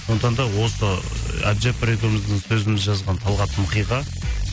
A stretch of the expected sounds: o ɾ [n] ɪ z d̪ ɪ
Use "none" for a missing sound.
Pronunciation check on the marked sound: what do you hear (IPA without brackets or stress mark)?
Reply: m